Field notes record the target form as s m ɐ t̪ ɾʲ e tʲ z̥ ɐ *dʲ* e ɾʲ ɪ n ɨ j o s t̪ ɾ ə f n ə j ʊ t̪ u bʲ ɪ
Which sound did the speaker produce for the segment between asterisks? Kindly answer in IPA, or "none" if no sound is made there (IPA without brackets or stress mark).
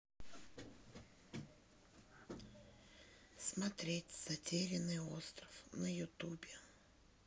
tʲ